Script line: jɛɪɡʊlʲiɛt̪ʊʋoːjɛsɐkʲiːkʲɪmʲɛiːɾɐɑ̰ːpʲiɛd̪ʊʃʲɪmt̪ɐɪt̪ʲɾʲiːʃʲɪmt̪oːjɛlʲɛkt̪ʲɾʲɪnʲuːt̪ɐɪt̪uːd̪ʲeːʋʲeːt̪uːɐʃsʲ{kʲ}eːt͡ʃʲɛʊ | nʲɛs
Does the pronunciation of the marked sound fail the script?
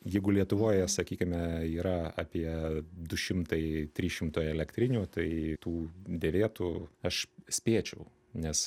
yes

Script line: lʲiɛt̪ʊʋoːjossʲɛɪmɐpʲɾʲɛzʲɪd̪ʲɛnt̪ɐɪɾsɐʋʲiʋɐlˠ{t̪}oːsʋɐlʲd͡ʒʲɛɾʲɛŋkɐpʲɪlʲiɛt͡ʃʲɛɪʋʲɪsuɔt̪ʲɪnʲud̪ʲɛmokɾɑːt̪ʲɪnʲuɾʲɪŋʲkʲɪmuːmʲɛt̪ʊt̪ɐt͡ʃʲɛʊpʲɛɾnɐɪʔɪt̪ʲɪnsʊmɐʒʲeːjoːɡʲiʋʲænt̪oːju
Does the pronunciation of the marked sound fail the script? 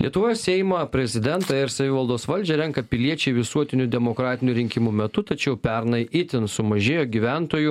yes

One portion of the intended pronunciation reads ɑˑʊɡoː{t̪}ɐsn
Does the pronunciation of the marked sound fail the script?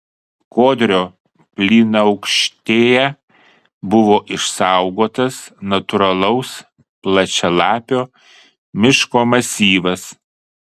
no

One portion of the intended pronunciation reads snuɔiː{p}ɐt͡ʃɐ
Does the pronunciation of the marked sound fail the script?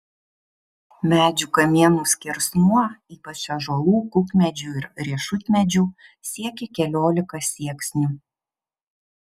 no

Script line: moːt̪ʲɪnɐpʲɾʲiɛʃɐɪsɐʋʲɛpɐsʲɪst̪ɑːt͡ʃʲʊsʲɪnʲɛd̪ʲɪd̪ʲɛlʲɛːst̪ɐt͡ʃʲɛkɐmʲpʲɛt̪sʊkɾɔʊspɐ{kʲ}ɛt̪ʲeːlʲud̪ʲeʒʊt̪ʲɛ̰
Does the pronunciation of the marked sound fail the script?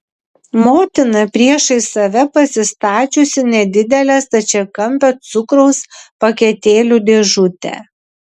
no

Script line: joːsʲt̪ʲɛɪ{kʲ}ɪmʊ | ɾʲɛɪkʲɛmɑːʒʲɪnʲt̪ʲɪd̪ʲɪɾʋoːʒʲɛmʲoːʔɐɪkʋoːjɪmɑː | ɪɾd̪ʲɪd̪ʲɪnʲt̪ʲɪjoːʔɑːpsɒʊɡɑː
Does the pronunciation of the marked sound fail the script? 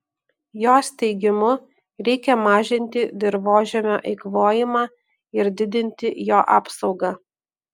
yes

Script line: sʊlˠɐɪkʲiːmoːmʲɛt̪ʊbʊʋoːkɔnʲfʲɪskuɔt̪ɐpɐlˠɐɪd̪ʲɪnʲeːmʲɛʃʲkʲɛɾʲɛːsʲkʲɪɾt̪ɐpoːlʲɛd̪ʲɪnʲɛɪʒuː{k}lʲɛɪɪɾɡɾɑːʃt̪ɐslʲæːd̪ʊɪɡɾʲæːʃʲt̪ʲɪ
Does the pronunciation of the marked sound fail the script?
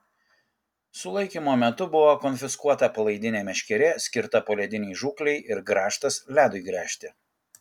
no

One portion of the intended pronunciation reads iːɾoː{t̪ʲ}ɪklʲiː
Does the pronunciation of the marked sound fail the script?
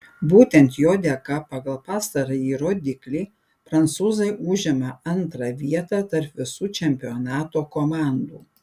yes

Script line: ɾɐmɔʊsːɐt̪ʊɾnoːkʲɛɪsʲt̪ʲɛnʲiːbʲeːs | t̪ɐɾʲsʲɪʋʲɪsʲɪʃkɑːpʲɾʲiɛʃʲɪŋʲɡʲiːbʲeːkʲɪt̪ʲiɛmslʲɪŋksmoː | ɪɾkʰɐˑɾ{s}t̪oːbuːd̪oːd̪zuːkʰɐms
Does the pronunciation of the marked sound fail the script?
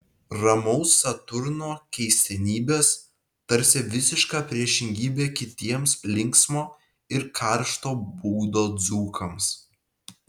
yes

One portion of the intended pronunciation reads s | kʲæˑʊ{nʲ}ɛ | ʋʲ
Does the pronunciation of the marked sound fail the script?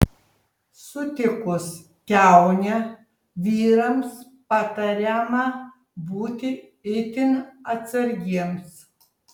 no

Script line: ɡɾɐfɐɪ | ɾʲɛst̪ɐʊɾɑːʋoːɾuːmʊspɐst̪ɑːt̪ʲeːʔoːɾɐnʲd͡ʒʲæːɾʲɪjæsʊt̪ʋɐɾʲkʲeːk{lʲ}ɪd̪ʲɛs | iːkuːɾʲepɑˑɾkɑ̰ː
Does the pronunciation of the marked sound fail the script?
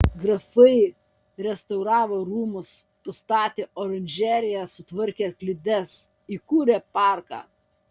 no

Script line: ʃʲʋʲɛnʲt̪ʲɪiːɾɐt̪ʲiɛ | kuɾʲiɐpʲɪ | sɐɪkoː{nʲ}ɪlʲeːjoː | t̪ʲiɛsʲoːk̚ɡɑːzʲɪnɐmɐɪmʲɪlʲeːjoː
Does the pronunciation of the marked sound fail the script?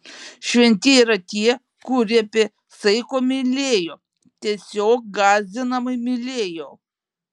yes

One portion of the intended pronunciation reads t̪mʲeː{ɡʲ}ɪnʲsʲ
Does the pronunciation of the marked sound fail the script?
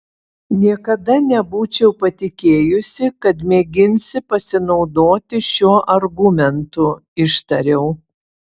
no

